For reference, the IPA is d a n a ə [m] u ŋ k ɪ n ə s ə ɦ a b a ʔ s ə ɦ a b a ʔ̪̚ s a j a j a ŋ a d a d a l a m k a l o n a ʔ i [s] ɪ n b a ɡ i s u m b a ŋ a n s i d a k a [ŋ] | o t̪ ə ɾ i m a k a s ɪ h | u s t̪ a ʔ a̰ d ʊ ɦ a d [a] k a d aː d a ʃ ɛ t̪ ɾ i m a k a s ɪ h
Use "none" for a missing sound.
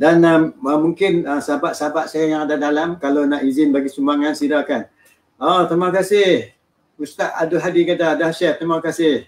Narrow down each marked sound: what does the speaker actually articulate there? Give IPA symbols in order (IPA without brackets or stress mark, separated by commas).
m, z, n, i